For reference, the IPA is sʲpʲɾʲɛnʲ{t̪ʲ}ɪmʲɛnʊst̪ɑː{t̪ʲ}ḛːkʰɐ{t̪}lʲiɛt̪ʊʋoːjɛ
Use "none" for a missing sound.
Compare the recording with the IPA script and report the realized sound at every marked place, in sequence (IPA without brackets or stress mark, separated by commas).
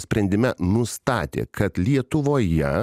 d̪ʲ, t̪ʲ, t̪